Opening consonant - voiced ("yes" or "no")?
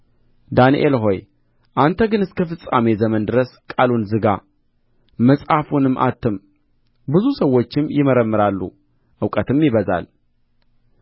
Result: yes